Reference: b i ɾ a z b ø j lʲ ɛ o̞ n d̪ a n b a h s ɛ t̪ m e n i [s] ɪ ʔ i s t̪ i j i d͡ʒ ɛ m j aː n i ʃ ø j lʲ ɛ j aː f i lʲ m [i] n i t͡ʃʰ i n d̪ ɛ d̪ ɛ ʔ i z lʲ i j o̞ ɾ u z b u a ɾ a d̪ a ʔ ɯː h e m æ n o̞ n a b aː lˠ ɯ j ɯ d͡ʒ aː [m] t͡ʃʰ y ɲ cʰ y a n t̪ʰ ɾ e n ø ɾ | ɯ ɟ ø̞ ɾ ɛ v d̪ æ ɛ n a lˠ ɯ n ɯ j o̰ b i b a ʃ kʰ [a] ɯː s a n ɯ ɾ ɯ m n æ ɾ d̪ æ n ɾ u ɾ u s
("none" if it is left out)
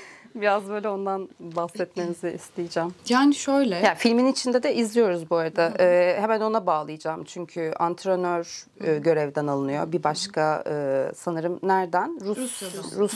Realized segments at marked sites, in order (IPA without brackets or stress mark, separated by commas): z, i, m, a